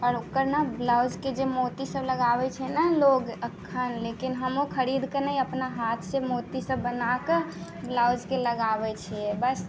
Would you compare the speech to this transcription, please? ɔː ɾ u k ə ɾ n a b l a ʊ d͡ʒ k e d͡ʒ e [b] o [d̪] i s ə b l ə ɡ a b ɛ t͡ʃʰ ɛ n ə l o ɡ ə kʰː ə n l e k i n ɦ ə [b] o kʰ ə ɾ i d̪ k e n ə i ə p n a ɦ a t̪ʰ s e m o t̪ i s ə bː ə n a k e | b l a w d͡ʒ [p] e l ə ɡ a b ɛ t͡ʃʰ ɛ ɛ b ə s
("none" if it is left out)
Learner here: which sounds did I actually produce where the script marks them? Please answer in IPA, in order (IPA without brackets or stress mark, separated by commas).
m, t̪, m, k